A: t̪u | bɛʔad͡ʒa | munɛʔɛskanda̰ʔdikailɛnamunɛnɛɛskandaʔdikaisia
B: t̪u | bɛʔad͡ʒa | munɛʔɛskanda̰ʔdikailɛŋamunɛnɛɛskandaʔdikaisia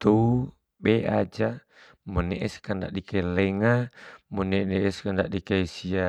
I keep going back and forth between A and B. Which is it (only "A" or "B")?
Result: B